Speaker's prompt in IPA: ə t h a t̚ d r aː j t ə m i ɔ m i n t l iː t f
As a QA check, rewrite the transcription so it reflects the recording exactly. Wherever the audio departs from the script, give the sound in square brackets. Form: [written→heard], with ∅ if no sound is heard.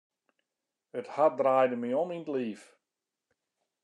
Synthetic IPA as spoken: ə t h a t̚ d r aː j [t→d] ə m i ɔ m i n t l iː [t→∅] f